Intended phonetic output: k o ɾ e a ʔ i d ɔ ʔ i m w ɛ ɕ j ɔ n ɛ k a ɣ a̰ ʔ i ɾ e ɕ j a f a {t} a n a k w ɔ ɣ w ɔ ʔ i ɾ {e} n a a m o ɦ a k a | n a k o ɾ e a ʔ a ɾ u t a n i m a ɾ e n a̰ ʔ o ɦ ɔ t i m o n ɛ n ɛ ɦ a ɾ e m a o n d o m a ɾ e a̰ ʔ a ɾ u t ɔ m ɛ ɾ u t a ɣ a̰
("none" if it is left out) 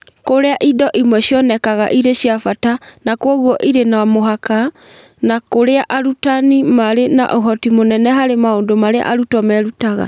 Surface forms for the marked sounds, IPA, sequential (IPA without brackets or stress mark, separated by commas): t, e